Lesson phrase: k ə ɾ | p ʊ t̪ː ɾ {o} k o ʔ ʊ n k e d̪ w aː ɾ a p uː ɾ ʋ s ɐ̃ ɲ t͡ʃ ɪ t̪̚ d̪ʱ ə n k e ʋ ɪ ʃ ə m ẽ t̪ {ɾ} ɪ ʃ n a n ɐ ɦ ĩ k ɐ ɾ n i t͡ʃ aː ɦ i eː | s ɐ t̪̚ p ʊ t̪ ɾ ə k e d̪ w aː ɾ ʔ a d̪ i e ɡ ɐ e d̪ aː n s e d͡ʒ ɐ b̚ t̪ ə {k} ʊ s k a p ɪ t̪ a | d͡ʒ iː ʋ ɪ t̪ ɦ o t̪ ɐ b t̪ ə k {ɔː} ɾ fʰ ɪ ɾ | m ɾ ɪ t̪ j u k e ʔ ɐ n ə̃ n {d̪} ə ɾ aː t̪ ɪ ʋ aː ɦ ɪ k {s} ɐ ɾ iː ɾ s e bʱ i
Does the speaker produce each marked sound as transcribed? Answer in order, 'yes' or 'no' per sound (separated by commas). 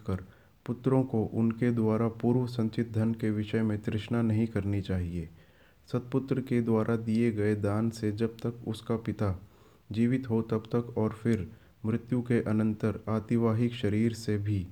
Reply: no, yes, yes, yes, no, no